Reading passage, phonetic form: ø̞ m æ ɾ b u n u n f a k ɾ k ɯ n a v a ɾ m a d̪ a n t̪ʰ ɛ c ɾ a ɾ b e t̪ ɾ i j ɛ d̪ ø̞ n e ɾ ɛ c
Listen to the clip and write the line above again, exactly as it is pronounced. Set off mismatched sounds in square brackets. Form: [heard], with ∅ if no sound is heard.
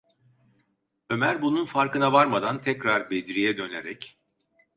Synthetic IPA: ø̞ m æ ɾ b u n u n f a [∅] ɾ k ɯ n a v a ɾ m a d̪ a n t̪ʰ ɛ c ɾ a ɾ b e [d̪] ɾ i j ɛ d̪ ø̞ n e ɾ ɛ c